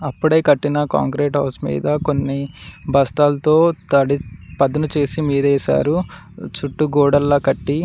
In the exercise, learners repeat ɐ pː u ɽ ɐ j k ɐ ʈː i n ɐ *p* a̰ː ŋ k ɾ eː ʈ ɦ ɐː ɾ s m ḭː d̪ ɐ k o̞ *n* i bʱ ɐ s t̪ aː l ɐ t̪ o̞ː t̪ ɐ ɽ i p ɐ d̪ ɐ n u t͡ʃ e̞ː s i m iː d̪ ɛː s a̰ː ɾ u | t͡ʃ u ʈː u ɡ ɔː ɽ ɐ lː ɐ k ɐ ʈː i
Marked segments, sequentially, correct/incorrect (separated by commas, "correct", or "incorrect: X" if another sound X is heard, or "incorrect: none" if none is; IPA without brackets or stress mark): incorrect: k, incorrect: nː